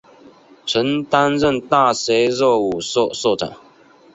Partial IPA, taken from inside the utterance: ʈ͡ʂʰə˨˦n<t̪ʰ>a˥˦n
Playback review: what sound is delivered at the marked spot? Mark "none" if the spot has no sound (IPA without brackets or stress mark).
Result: t̪